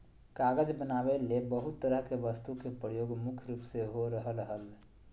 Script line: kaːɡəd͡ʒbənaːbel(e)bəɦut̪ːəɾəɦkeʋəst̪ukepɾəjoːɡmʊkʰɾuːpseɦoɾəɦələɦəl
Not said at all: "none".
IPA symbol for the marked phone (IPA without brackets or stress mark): e